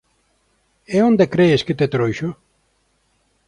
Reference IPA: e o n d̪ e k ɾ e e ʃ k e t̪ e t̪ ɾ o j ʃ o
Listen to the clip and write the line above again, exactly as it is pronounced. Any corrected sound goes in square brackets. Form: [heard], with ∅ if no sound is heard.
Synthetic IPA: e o n d̪ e k ɾ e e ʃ k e t̪ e t̪ ɾ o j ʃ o